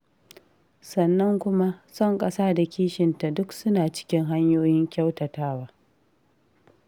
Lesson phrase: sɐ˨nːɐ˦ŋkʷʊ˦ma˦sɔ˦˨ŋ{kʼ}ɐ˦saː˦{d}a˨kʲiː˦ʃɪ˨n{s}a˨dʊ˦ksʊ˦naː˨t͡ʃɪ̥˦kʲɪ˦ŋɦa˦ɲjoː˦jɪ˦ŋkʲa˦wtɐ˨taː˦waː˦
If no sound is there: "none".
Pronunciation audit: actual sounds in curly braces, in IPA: kʼ, d, t

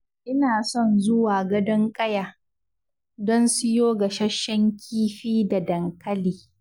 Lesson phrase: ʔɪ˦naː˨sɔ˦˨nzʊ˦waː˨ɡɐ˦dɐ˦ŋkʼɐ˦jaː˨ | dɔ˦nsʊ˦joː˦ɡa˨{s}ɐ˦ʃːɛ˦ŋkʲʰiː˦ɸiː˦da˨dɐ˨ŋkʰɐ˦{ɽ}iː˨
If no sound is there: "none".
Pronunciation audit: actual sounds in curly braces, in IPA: ʃ, l

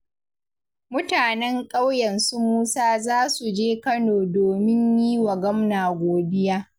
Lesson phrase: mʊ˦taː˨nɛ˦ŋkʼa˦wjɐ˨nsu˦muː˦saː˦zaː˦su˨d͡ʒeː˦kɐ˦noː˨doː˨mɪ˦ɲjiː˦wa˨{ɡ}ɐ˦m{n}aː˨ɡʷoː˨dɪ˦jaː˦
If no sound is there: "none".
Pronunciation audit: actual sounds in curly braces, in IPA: ɡ, n

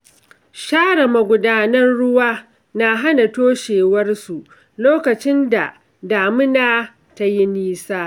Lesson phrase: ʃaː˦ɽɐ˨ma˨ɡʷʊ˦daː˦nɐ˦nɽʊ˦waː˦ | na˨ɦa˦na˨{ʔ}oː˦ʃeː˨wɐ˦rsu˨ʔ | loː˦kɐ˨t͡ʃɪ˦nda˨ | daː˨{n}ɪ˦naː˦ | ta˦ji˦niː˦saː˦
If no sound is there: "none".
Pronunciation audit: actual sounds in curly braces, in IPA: t, m

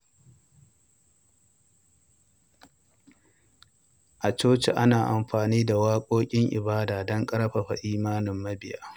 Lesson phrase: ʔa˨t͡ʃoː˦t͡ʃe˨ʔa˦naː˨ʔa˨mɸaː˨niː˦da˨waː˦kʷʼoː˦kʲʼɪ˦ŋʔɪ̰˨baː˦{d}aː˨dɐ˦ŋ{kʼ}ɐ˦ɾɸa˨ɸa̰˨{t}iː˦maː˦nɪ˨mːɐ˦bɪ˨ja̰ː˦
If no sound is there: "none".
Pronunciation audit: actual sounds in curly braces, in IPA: d, kʼ, ʔ

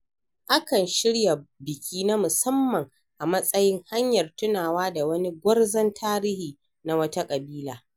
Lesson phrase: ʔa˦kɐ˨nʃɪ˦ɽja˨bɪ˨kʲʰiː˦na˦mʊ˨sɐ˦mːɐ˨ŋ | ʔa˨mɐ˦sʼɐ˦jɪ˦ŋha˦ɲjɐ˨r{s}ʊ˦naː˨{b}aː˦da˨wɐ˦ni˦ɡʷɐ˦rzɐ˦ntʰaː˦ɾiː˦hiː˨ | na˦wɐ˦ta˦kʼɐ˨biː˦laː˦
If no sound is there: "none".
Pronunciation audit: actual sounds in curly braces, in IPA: t, w

